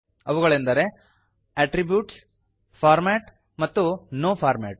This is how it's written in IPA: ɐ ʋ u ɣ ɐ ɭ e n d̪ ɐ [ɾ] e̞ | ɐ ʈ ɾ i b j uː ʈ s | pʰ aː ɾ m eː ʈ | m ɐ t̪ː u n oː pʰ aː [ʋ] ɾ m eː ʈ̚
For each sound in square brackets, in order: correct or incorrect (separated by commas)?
correct, incorrect